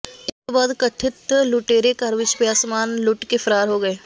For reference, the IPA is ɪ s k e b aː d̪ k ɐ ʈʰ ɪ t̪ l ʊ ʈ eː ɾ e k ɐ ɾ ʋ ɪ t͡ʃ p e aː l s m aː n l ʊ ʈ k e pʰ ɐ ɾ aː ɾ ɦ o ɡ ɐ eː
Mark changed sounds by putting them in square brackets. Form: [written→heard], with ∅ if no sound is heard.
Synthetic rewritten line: ɪ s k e b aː d̪ k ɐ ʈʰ ɪ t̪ l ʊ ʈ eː ɾ e k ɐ ɾ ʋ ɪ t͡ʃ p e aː [l→∅] s m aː n l ʊ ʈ k e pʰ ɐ ɾ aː ɾ ɦ o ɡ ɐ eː